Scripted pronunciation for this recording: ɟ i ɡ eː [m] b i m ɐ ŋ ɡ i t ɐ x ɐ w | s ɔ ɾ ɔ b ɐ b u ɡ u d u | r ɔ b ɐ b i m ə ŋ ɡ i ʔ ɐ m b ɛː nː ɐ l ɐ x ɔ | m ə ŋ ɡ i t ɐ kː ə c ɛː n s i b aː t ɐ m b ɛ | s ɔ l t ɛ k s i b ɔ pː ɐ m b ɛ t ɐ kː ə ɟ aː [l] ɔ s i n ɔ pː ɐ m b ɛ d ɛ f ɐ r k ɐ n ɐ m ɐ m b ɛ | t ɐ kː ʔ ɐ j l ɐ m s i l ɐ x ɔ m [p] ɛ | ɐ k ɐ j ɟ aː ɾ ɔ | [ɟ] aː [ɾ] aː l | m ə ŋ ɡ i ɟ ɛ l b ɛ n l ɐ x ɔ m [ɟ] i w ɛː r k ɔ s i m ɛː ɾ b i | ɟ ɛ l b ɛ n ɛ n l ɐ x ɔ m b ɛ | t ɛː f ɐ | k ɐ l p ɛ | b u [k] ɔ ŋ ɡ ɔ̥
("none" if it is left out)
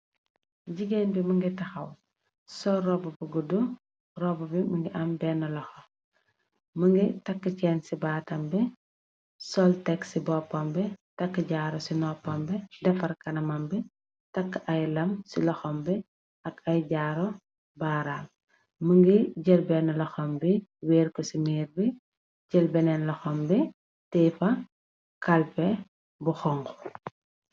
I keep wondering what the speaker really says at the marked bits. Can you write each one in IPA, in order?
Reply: n, ɾ, b, b, ɾ, b, x

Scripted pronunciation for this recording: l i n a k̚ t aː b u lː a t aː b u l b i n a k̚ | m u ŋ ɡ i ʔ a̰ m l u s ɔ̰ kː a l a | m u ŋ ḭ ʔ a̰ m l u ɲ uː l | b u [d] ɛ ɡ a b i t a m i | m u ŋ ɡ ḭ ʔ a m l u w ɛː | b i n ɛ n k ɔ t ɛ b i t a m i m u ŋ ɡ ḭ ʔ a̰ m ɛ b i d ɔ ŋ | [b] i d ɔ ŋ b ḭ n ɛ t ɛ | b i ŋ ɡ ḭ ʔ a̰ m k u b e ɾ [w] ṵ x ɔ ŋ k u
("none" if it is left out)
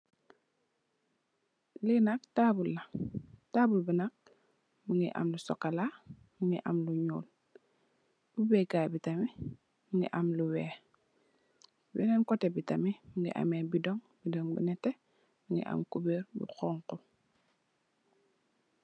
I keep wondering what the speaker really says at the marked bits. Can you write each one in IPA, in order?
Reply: b, b, b

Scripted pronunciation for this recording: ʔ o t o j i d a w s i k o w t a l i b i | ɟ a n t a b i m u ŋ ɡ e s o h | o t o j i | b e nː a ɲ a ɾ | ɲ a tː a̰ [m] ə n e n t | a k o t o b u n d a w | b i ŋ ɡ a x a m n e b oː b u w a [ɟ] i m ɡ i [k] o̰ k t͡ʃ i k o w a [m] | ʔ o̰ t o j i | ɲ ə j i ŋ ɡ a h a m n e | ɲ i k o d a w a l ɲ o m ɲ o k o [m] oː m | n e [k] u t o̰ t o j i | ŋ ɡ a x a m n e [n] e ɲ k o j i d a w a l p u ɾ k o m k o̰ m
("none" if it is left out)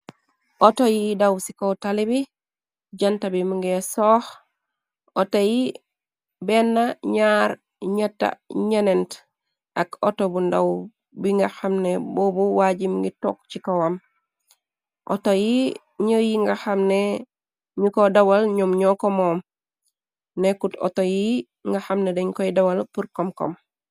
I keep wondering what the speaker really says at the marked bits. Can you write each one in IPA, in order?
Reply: ɲ, ɟ, t, m, m, k, d

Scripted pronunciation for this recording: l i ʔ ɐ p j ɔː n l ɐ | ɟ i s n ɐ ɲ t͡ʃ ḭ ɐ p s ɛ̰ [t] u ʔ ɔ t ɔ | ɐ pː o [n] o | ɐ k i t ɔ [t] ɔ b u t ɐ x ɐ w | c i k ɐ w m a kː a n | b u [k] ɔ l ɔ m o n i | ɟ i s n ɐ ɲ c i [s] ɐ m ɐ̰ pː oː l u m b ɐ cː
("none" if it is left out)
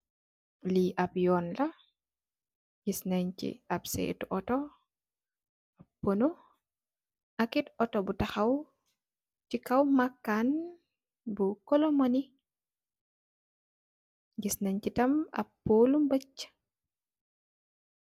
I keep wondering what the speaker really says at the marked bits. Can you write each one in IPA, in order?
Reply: t, n, t, k, t

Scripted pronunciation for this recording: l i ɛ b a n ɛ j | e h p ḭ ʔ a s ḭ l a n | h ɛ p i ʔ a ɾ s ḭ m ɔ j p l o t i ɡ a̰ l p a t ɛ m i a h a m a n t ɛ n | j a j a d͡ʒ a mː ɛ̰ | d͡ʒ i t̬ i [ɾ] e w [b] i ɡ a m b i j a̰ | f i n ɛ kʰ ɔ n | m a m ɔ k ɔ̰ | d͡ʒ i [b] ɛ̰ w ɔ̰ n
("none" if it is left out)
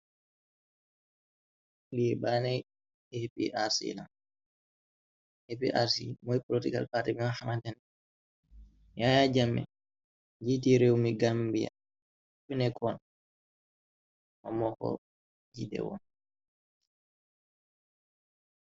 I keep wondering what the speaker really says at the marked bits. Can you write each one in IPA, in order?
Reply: ɾ, m, d

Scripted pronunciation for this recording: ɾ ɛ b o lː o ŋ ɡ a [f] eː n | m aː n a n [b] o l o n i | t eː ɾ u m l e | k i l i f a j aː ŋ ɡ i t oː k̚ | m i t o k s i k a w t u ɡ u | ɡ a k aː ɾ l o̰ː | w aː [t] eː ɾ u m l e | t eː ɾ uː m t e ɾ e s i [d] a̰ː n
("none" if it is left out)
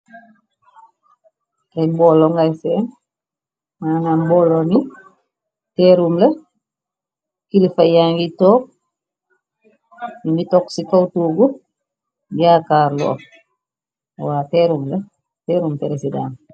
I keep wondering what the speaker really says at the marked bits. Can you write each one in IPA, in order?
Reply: s, b, t, d

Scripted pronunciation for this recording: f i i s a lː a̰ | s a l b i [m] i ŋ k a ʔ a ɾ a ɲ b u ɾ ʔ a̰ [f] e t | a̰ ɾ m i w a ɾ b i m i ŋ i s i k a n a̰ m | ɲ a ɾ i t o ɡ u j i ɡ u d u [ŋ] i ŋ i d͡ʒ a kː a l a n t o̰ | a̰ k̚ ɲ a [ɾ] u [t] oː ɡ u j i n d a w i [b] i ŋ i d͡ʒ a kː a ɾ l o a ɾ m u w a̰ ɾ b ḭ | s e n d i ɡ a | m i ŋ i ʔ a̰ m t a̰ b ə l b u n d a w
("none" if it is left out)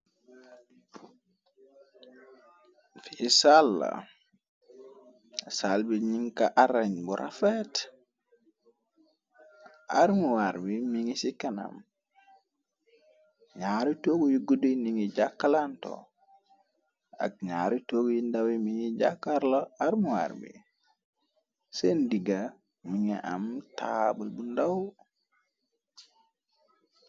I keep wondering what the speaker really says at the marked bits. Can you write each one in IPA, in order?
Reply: ɲ, f, n, ɾ, t, m

